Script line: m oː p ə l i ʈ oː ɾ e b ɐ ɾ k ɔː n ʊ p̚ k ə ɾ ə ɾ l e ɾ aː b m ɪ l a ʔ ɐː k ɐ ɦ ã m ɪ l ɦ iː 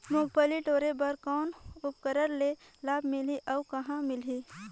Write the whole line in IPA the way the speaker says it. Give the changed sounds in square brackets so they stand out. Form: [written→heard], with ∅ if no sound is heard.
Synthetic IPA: m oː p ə l i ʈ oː ɾ e b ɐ ɾ k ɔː n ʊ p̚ k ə ɾ ə ɾ l e [ɾ→l] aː b m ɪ l [a→i] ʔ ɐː k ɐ ɦ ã m ɪ l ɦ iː